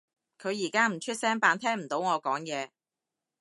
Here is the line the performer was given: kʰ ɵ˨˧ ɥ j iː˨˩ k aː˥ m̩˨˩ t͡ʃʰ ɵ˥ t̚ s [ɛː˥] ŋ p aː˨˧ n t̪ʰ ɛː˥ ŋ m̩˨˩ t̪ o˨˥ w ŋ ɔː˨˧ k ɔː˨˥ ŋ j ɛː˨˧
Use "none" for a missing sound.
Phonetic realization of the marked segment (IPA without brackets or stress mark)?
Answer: ɛː˥